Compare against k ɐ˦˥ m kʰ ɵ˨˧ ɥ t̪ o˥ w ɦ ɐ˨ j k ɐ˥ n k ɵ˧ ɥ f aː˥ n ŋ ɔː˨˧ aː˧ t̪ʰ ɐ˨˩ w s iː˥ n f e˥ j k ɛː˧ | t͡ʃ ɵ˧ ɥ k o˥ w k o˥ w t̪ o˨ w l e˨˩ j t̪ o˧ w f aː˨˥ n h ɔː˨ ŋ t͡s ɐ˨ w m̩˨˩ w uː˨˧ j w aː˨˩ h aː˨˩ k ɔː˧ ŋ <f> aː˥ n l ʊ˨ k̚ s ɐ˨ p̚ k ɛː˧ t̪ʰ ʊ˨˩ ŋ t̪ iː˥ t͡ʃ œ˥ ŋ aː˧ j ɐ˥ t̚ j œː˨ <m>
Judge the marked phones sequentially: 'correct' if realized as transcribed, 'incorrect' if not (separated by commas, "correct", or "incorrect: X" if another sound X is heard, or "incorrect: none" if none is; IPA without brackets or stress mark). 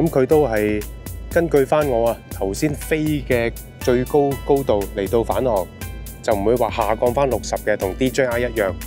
correct, incorrect: ŋ